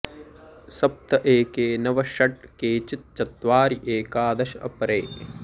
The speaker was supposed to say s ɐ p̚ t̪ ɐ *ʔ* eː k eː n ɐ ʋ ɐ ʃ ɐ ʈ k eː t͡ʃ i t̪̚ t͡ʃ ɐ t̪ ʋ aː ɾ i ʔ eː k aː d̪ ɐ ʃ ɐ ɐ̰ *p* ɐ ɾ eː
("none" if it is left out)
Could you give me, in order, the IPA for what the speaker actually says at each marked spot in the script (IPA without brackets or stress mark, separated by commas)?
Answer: ʔ, p